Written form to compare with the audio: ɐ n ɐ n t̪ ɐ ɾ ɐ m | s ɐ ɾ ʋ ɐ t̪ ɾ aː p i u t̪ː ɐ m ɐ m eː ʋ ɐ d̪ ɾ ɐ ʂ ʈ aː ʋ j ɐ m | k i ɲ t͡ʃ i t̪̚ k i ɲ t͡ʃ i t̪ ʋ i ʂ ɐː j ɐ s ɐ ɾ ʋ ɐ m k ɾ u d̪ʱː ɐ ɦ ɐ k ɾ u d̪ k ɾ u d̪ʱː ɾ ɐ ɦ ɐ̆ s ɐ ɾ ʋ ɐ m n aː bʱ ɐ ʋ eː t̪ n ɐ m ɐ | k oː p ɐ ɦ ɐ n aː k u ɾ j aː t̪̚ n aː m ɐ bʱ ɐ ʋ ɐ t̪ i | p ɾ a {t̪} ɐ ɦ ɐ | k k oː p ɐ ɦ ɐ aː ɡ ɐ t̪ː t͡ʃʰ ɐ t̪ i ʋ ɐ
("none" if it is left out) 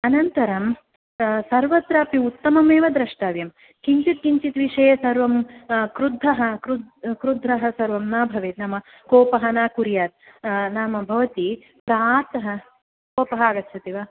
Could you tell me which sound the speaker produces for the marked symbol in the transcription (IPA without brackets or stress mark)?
t̪